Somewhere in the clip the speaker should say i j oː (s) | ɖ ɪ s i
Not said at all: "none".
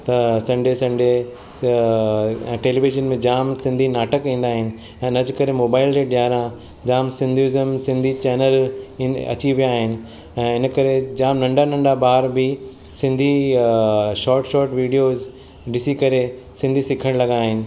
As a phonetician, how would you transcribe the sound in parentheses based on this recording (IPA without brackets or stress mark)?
z